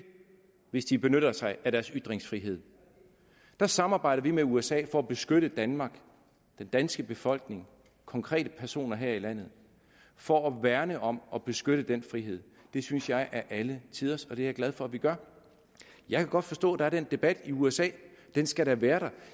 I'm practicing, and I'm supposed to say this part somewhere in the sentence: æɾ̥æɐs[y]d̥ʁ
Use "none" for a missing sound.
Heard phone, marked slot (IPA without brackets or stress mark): y